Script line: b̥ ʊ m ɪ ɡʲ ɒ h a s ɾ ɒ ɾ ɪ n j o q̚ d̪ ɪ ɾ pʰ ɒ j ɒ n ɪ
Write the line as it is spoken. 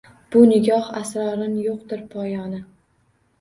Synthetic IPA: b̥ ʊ n ɪ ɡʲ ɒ h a s ɾ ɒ ɾ ɪ n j o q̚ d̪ ɪ ɾ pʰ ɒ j ɒ n ɪ

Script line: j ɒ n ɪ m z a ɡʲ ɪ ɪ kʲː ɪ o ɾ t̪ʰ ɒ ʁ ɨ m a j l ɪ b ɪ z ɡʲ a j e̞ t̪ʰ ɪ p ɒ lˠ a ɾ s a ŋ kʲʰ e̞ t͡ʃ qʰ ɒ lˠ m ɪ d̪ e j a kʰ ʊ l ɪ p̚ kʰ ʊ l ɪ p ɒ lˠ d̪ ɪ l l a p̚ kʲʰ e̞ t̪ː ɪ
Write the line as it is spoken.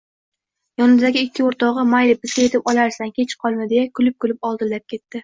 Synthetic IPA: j ɒ n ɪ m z a ɡʲ ɪ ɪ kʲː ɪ o ɾ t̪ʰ ɒ ʁ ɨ m a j l ɪ b ɪ z ɡʲ a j e̞ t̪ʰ ɪ p ɒ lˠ a ɾ s a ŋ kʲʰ e̞ t͡ʃ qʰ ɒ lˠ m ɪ d̪ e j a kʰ ʊ l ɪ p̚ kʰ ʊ l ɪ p ɒ lˠ d̪ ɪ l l a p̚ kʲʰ e̞ t̪ː ɪ

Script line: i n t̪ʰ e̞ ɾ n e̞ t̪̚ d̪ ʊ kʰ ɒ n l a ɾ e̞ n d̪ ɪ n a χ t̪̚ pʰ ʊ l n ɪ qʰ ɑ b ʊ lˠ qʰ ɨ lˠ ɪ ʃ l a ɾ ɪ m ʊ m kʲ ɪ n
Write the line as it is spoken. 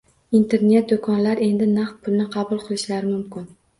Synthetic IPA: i n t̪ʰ e̞ ɾ n e̞ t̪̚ d̪ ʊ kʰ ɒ n l a ɾ e̞ n d̪ ɪ n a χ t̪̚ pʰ ʊ l n ɪ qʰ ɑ b ʊ lˠ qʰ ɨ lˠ ɪ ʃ l a ɾ ɪ m ʊ m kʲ ɪ n

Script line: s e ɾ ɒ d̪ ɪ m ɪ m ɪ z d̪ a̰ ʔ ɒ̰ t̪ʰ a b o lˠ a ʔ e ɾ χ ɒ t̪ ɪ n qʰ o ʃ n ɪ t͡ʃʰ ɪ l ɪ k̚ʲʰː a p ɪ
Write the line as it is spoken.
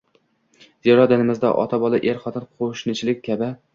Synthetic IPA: z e ɾ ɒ d̪ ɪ n ɪ m ɪ z d̪ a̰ ʔ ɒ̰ t̪ʰ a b ɒ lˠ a ʔ e ɾ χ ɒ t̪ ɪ n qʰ o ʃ n ɪ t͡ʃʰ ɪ l ɪ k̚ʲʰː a b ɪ

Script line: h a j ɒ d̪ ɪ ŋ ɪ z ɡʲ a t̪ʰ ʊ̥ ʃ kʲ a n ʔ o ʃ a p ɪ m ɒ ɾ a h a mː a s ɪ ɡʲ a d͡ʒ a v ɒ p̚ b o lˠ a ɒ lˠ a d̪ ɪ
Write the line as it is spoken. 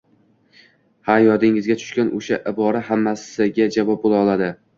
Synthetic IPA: h a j ɒ d̪ ɪ ŋ ɪ z ɡʲ a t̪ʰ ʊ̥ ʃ kʲ a n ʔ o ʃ a ʔ ɪ b ɒ ɾ a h a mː a s ɪ ɡʲ a d͡ʒ a v ɒ p̚ b o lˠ a ɒ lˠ a d̪ ɪ

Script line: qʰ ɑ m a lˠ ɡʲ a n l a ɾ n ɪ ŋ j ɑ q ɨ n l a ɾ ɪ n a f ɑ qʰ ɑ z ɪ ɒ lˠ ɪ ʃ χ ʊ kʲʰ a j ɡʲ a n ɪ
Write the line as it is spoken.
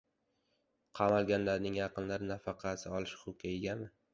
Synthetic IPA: qʰ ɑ m a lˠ ɡʲ a n l a ɾ n ɪ ŋ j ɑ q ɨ n l a ɾ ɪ n a f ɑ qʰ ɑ s ɪ ɒ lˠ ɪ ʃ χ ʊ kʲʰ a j ɡʲ a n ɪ

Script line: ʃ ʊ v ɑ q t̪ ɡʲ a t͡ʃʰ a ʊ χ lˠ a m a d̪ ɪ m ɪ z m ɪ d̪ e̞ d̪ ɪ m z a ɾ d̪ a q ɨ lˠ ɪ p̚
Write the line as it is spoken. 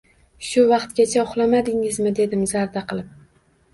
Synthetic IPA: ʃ ʊ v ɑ q t̪ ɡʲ a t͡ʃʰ a ʊ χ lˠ a m a d̪ ɪ ŋ ɪ z m ɪ d̪ e̞ d̪ ɪ m z a ɾ d̪ a q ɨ lˠ ɪ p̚

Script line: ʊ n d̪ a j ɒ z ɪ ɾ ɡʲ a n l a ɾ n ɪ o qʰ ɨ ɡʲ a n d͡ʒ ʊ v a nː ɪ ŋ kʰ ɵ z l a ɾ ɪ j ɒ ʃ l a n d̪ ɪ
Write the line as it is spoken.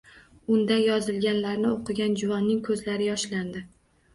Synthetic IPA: ʊ n d̪ a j ɒ z ɪ l ɡʲ a n l a ɾ n ɪ o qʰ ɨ ɡʲ a n d͡ʒ ʊ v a nː ɪ ŋ kʰ ɵ z l a ɾ ɪ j ɒ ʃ l a n d̪ ɪ

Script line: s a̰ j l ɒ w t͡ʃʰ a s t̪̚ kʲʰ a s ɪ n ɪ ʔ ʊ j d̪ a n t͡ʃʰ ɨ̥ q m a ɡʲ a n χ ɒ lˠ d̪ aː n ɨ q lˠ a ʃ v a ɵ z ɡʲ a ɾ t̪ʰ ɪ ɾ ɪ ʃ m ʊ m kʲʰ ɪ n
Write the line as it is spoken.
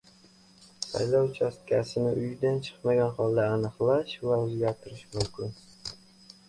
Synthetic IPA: s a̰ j l ɒ w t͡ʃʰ a s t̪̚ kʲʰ a s ɪ n ɪ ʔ ʊ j d̪ a n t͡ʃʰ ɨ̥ q m a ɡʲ a n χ ɒ lˠ d̪ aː n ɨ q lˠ a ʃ v a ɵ z ɡʲ a ɾ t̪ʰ ɪ ɾ ɪ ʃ m ʊ m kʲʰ ɪ n

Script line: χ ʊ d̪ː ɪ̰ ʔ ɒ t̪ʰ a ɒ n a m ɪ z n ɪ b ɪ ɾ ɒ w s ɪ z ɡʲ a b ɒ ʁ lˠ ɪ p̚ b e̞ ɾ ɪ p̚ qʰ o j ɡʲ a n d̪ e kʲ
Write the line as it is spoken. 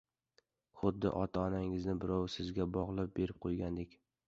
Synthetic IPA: χ ʊ d̪ː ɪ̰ ʔ ɒ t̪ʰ a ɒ n a ŋ ɪ z n ɪ b ɪ ɾ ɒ w s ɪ z ɡʲ a b ɒ ʁ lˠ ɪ p̚ b e̞ ɾ ɪ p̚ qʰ o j ɡʲ a n d̪ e kʲ

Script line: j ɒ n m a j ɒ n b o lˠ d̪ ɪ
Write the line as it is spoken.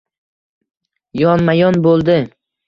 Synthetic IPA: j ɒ n m a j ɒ n b o lˠ d̪ ɪ

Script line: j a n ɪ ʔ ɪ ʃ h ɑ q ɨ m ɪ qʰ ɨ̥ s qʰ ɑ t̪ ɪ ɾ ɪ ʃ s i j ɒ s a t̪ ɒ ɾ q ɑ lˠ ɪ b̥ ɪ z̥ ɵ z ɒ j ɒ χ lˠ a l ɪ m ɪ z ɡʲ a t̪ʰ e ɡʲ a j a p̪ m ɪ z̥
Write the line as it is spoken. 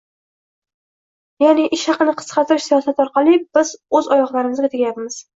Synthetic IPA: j a n ɪ ʔ ɪ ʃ h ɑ q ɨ n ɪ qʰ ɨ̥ s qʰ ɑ t̪ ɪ ɾ ɪ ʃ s i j ɒ s a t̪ ɒ ɾ q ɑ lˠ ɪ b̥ ɪ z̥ ɵ z ɒ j ɒ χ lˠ a ɾ ɪ m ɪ z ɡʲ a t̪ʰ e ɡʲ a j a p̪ m ɪ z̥

